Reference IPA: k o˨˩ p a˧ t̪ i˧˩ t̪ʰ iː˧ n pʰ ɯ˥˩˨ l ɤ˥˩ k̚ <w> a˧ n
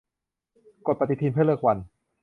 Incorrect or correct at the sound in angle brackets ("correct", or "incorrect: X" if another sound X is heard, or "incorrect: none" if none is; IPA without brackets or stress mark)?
correct